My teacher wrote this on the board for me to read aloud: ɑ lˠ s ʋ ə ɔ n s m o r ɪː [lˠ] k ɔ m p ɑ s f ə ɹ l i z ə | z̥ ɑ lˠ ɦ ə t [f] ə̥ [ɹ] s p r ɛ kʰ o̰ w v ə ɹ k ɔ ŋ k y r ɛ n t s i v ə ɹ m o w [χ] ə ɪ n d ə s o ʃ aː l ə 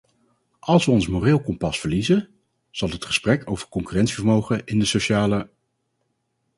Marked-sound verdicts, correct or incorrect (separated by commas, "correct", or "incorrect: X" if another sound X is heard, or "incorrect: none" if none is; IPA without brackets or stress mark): correct, incorrect: χ, incorrect: none, correct